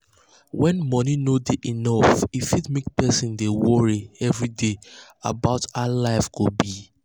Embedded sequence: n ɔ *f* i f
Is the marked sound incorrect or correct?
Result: correct